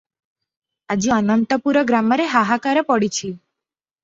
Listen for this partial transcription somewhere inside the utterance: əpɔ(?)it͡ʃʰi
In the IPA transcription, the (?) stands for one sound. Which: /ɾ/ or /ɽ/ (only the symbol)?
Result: ɽ